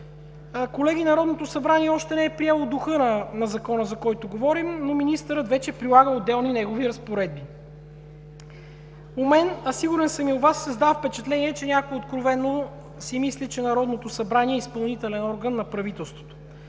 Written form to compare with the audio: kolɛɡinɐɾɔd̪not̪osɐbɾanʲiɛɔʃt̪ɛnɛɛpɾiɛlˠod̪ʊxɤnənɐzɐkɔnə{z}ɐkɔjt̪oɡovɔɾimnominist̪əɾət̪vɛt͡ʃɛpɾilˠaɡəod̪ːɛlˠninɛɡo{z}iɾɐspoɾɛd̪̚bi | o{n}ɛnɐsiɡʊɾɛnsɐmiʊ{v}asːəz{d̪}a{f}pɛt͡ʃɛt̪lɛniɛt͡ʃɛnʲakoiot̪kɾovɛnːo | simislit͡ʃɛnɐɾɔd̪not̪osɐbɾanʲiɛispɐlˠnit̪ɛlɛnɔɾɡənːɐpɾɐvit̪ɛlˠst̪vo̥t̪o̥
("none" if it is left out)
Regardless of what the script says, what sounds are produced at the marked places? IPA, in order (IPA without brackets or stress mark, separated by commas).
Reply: z, v, m, v, d̪, f